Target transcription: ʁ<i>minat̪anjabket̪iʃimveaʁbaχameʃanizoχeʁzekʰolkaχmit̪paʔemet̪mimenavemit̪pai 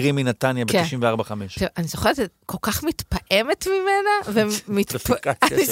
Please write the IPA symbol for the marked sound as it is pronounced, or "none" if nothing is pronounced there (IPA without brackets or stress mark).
i